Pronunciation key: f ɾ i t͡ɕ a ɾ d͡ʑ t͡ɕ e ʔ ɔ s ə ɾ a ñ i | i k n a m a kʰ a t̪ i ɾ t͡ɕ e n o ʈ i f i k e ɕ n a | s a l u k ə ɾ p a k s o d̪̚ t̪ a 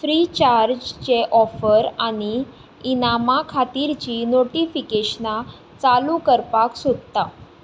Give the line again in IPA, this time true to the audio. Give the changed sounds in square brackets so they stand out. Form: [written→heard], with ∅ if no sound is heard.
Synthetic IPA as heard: f ɾ i t͡ɕ a ɾ d͡ʑ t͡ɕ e ʔ ɔ [s→f] ə ɾ a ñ i | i [k→∅] n a m a kʰ a t̪ i ɾ t͡ɕ [e→i] n o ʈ i f i k e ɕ n a | [s→t͡s] a l u k ə ɾ p a k s o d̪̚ t̪ a